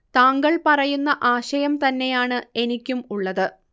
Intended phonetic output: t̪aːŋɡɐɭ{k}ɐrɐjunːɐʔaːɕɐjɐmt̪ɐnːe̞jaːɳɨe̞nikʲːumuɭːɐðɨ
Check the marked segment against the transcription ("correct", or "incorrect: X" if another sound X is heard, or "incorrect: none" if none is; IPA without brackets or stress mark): incorrect: p